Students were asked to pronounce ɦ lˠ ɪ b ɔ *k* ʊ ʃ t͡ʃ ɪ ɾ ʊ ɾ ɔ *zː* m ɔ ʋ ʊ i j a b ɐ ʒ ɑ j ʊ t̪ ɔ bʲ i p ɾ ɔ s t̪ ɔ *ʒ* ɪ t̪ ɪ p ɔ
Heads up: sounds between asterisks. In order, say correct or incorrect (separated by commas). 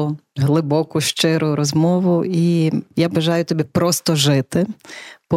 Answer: correct, incorrect, correct